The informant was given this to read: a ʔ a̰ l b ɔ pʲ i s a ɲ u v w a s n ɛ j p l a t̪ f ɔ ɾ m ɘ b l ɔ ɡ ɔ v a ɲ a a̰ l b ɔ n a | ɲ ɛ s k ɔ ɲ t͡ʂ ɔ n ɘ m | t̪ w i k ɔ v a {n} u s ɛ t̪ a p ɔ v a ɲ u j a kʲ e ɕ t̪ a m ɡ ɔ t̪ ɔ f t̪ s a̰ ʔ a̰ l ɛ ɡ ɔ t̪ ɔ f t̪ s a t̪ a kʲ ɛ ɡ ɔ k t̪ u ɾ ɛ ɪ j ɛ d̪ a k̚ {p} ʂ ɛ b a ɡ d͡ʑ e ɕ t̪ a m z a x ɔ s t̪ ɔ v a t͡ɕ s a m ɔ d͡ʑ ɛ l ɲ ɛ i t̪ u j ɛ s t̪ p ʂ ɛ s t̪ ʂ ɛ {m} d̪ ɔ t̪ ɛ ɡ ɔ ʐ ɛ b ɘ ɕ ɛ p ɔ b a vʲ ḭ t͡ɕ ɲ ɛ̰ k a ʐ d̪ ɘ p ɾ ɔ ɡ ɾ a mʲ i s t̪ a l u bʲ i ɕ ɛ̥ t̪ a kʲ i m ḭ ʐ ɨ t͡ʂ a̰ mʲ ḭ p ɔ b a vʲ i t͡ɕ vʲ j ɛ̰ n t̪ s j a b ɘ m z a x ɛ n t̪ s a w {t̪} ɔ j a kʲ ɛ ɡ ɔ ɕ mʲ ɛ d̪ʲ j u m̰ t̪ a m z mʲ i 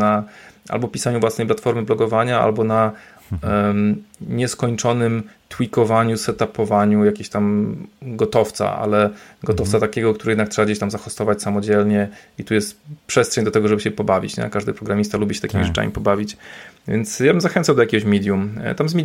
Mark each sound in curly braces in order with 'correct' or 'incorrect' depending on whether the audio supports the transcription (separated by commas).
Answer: incorrect, incorrect, incorrect, incorrect